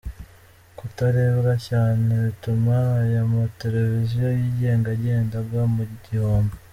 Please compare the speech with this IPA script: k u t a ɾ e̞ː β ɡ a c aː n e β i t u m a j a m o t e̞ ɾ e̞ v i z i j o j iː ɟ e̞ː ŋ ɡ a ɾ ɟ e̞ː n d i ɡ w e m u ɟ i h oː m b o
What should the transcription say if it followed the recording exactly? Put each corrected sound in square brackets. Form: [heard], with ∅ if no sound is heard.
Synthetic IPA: k u t a ɾ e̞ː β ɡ a c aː n e β i t u m a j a m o t e̞ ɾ e̞ v i z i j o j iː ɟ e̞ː ŋ ɡ a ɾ ɟ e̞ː n d [a] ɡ w [a] m u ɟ i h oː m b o